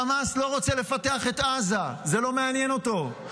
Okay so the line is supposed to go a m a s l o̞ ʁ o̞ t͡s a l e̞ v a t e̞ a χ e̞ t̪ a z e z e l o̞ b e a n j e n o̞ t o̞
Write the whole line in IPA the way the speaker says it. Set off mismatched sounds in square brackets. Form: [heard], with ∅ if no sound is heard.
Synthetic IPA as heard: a m a s l o̞ ʁ o̞ t͡s [e] l e̞ [f] a t e̞ a χ e̞ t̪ a z [a] z e l o̞ [m] e a n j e n o̞ t o̞